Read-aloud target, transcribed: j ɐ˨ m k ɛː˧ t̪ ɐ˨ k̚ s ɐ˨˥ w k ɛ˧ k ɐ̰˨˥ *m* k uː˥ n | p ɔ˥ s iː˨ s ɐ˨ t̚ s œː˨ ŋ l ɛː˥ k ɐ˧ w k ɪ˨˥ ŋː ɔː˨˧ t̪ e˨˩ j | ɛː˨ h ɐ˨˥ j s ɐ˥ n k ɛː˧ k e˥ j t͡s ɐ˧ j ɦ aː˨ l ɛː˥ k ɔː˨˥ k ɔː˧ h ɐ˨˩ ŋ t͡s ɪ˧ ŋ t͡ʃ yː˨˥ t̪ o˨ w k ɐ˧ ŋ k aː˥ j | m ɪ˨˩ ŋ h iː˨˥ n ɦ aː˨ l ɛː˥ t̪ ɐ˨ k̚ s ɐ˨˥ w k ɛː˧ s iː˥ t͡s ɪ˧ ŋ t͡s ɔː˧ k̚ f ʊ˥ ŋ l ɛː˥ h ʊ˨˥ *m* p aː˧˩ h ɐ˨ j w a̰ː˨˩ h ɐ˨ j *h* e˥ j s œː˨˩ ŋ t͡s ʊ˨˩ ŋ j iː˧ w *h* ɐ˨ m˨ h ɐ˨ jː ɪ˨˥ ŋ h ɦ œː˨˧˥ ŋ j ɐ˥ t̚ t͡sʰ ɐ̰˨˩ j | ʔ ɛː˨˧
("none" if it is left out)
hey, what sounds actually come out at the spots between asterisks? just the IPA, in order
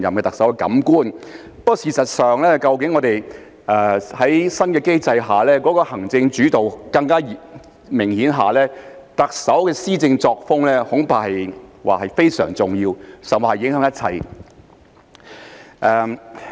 m, ŋ, f, s

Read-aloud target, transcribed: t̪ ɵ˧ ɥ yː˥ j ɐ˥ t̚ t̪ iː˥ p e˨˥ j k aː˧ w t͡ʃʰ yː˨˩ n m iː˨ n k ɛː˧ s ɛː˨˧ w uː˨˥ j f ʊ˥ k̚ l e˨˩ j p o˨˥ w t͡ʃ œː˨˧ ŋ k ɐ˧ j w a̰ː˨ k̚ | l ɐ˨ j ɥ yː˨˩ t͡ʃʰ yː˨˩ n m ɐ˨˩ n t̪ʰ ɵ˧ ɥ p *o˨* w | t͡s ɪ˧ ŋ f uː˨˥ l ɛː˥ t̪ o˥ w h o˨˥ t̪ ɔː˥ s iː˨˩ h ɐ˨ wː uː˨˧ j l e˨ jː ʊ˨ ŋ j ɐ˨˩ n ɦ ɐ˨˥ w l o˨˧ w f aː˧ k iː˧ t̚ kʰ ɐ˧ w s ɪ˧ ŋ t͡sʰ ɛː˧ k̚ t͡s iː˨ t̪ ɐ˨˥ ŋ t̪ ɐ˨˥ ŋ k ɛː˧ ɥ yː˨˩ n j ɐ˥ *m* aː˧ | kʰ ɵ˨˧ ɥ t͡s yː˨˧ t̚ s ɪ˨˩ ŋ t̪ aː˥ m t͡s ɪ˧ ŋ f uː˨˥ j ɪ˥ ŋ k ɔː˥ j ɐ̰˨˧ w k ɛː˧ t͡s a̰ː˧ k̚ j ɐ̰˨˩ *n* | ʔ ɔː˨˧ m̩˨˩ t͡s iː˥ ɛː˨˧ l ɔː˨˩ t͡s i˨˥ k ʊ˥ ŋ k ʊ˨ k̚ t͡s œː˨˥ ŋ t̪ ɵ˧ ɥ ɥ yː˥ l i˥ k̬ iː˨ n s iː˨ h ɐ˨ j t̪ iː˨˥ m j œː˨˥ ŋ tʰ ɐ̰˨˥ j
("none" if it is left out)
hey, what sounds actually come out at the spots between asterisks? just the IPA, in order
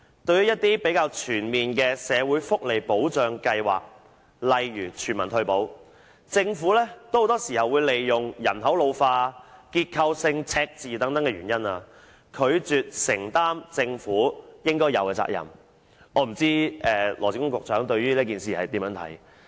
o˨˥, n, m

